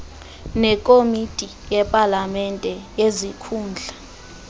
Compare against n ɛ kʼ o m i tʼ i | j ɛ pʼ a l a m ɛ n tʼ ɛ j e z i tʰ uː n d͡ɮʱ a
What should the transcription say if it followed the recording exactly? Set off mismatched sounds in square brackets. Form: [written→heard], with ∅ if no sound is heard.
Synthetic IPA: n ɛ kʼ o m i tʼ i | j ɛ pʼ a l a m ɛ n tʼ ɛ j e z i [tʰ→kʰ] uː n d͡ɮʱ a